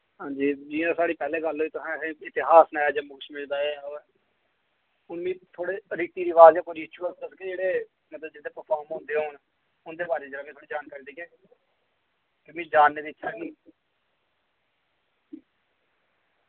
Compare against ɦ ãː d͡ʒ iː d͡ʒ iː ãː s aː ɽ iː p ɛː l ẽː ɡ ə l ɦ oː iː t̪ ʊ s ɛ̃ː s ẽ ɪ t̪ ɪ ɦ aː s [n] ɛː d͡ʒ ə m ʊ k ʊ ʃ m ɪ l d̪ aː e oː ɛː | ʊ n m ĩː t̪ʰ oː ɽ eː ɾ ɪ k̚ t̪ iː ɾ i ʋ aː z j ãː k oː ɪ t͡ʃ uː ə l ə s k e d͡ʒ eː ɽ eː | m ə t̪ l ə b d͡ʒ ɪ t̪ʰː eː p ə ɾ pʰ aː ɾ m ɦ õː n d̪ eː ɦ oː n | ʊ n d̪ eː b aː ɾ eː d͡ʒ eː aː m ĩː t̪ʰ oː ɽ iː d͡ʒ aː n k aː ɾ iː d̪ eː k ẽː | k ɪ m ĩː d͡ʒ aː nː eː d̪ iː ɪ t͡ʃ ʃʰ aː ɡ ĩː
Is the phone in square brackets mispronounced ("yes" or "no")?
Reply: no